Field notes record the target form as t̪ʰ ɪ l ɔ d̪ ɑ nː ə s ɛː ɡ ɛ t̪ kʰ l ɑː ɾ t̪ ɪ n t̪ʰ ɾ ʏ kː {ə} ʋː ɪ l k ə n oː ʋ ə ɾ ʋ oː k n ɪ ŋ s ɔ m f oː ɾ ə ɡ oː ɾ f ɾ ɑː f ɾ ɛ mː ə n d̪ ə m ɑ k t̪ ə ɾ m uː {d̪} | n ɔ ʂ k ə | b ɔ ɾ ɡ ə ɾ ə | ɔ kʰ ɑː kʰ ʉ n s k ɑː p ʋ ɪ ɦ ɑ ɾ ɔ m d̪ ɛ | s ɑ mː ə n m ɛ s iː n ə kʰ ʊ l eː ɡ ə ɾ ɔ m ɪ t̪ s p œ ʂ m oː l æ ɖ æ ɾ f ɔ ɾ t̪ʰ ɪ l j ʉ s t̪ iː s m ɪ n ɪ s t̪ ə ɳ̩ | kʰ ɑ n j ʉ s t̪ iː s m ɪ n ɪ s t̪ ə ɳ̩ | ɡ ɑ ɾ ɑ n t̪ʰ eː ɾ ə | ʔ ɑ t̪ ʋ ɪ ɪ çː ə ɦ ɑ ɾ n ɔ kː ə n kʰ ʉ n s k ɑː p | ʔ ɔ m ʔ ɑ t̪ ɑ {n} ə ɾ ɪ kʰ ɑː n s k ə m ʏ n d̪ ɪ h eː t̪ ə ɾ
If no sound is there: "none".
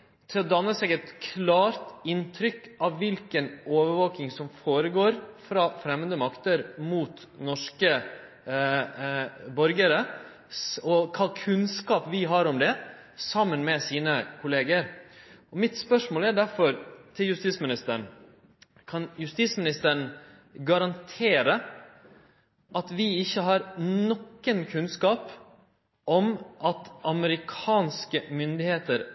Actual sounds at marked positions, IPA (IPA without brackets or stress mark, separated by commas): ɑ, t̪, m